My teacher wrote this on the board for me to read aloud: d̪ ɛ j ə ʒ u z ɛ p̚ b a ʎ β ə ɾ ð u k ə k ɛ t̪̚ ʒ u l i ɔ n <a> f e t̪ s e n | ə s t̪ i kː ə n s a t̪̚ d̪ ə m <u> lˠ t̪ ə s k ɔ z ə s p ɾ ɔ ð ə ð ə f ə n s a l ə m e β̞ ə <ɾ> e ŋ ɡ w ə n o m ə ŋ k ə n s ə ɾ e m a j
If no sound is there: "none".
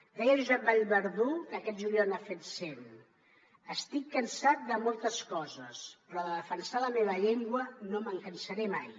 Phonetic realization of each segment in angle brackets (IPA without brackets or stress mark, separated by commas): a, o, ʎ